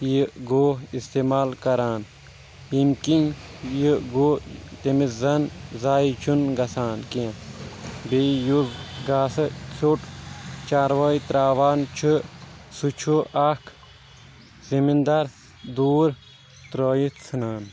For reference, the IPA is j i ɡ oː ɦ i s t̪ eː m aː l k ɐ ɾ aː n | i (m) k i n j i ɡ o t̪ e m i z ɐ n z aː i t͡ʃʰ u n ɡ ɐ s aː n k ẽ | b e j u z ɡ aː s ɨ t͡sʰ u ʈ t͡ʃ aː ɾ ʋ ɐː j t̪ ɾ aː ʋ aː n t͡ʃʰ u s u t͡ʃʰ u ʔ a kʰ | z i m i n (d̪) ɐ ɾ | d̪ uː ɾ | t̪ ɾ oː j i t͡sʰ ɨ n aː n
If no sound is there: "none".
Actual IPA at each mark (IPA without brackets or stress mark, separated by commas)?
m, d̪